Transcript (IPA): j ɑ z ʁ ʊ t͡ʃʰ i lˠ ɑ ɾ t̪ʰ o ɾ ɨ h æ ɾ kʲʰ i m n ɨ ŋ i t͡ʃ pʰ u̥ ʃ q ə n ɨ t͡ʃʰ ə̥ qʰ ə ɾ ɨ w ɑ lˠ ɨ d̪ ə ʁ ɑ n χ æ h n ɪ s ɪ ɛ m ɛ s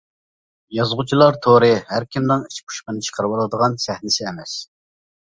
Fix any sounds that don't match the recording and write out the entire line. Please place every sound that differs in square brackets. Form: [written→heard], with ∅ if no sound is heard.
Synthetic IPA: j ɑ z ʁ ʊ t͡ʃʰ i lˠ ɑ ɾ t̪ʰ o ɾ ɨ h æ ɾ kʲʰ i m n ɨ ŋ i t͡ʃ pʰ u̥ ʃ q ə n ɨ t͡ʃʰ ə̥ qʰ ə ɾ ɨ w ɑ lˠ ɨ d̪ ə ʁ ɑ n [χ→s] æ h n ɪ s ɪ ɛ m ɛ s